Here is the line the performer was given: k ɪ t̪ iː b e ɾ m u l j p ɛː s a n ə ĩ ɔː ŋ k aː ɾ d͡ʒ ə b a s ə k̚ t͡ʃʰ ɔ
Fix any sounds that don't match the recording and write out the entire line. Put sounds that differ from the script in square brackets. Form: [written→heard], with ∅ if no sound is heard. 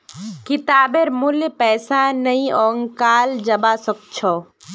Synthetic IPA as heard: k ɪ t̪ [iː→aː] b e ɾ m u l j p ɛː s a n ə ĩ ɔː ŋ k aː [ɾ→l] d͡ʒ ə b a s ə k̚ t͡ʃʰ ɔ